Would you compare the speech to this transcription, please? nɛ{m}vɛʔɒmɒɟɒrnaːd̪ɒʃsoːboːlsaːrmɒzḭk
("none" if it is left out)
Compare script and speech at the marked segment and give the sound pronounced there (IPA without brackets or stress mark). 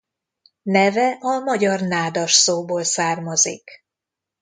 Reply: none